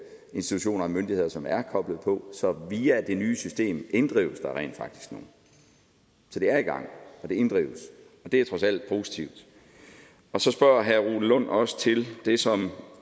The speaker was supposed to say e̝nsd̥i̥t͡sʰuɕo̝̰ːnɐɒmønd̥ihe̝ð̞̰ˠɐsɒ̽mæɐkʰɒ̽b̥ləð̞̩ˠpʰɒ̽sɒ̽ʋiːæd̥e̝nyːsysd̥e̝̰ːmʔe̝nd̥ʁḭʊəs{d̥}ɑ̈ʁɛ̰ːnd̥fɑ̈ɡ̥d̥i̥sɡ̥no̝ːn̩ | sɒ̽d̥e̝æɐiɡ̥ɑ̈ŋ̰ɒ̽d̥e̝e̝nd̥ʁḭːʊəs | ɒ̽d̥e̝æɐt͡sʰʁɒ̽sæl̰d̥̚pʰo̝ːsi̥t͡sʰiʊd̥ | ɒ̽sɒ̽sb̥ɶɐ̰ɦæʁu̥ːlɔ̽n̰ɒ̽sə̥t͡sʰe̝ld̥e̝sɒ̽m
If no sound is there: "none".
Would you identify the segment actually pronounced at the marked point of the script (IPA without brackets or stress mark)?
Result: d̥